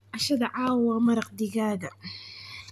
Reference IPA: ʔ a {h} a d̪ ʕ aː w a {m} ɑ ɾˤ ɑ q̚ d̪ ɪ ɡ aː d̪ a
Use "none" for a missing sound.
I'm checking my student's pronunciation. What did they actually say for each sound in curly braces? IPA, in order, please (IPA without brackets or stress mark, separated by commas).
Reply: ʃ, m